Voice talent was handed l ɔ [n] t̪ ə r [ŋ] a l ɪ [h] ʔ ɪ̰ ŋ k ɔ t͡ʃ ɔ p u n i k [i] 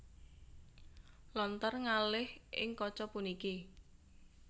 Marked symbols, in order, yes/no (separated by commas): yes, yes, yes, yes